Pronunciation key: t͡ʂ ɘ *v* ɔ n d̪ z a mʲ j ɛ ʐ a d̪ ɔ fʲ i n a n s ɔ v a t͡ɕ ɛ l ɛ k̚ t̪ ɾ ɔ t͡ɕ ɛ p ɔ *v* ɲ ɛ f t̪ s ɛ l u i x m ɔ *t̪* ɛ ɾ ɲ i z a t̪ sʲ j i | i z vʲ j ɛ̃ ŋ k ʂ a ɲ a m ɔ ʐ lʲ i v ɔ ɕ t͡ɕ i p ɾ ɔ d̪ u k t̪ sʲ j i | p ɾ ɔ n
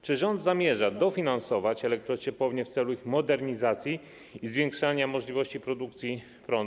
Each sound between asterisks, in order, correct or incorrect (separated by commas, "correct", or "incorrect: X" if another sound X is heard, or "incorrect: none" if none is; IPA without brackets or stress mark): incorrect: ʐ, correct, incorrect: d̪